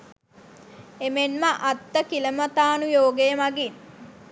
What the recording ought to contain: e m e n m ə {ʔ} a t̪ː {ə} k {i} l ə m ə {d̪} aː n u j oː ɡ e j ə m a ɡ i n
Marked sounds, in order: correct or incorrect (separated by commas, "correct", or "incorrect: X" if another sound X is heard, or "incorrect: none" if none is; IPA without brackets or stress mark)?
correct, correct, correct, incorrect: t̪